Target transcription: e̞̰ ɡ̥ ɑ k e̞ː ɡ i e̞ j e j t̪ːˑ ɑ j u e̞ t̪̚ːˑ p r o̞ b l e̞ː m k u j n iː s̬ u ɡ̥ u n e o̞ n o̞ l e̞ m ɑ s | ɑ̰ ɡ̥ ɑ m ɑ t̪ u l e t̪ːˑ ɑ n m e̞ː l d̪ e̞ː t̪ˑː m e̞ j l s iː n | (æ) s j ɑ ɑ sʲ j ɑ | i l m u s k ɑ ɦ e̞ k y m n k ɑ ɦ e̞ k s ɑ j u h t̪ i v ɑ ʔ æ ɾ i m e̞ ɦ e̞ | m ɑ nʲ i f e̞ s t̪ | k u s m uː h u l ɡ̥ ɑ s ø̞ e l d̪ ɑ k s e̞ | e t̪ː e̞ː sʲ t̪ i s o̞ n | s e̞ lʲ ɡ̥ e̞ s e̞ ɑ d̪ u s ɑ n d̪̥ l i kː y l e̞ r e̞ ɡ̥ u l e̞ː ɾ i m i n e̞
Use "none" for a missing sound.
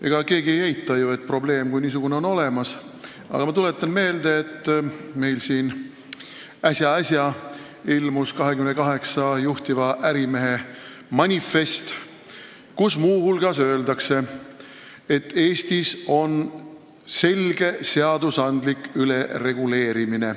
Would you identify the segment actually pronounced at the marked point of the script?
æ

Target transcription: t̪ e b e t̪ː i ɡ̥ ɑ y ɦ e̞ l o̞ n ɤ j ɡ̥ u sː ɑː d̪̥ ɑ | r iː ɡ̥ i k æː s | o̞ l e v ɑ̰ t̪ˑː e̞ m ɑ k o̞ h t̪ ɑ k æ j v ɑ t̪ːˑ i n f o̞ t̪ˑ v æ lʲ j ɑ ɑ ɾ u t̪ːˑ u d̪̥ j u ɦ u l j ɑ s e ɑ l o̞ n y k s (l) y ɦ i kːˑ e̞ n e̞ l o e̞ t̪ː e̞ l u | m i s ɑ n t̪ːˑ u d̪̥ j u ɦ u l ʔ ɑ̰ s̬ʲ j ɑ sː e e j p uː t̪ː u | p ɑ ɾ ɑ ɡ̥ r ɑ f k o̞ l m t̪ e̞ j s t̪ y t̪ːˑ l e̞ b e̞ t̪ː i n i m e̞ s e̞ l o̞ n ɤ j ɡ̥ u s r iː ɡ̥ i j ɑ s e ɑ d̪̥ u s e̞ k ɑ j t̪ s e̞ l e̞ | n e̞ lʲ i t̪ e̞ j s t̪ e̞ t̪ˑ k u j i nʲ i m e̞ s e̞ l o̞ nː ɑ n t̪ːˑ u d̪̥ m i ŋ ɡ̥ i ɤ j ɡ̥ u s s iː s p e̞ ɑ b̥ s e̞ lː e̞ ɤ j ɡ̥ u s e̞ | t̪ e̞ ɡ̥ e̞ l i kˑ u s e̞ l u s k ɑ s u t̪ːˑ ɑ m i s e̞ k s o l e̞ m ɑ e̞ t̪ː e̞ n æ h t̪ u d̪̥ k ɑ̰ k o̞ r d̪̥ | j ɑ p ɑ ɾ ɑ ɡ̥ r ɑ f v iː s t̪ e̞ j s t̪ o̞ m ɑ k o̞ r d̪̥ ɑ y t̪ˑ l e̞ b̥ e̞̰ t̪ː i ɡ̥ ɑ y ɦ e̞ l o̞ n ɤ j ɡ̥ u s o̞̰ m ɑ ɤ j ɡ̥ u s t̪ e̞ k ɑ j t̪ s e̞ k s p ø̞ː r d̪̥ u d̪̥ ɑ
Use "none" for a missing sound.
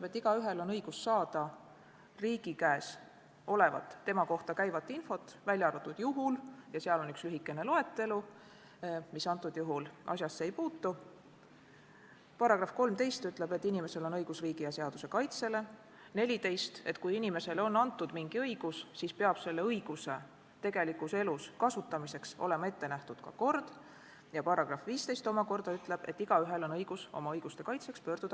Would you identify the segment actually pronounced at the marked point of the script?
l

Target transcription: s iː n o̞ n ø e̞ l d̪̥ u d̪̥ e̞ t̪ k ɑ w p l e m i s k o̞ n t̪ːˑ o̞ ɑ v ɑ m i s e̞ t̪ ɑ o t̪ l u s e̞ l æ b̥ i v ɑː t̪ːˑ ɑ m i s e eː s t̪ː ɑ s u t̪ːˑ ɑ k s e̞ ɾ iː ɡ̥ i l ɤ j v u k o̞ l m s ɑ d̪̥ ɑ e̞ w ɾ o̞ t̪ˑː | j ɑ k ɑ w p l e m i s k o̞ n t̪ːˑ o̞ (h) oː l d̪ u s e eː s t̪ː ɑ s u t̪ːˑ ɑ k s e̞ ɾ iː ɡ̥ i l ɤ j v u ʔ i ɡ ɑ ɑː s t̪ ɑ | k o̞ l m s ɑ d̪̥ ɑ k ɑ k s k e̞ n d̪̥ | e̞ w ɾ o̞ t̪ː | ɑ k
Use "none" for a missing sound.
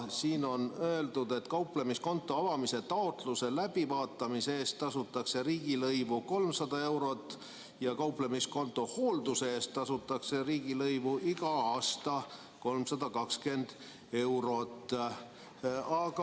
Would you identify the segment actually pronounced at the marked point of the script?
h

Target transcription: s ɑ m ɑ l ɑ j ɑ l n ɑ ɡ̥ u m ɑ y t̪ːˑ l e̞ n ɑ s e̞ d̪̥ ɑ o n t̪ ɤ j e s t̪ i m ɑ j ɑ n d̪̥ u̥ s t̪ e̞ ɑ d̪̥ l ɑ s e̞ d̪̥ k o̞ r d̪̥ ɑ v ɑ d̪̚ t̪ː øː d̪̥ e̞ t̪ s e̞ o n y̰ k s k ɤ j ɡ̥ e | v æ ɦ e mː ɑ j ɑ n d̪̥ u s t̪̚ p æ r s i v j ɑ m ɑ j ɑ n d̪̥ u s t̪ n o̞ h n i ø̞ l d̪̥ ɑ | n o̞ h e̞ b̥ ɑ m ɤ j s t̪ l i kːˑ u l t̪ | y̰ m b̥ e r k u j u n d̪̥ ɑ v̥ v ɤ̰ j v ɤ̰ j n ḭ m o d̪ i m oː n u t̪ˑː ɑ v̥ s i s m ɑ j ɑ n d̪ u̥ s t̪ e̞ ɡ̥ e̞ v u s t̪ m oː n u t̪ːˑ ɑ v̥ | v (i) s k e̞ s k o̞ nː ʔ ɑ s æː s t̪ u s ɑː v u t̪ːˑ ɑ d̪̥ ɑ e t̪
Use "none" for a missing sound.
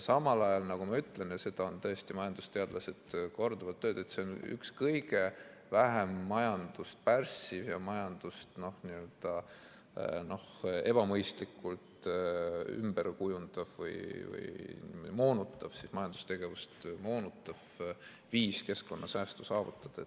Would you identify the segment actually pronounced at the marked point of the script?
iː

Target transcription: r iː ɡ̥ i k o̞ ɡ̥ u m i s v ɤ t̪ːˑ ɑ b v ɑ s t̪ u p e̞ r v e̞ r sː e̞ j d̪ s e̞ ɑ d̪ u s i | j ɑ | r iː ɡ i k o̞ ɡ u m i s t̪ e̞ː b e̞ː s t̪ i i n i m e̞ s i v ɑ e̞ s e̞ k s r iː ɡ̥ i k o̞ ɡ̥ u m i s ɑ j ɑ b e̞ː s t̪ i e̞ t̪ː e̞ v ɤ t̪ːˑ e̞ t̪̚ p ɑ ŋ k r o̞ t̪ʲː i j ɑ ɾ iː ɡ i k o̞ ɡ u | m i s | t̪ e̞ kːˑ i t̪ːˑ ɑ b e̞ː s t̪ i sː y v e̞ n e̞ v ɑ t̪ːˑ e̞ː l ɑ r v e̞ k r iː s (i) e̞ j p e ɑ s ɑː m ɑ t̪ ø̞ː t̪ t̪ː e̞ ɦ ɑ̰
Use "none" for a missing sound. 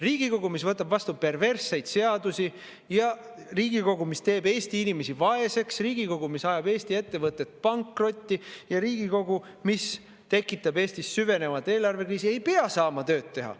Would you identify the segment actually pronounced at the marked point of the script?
i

